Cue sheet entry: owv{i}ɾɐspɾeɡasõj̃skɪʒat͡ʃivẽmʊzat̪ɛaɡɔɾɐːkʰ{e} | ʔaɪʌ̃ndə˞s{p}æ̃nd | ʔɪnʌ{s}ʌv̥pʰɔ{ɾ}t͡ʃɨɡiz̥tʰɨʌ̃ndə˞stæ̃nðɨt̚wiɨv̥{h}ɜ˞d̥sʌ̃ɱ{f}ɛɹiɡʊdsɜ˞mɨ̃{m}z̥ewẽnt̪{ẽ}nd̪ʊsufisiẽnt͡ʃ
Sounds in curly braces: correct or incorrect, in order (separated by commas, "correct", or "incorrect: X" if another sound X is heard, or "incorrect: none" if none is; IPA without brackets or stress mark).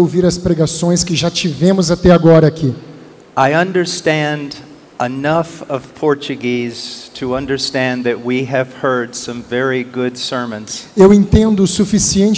correct, incorrect: i, incorrect: t, incorrect: f, incorrect: ɹ, correct, incorrect: v, incorrect: n, correct